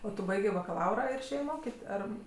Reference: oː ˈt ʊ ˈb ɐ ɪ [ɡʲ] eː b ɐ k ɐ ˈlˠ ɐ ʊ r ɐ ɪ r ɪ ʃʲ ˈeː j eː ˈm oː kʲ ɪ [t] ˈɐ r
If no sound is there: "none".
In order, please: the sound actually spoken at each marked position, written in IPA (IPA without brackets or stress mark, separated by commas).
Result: ɡʲ, t